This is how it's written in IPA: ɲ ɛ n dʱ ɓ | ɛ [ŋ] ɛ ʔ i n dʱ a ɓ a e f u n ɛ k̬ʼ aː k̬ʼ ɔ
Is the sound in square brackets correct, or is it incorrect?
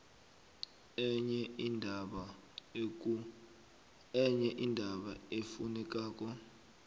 incorrect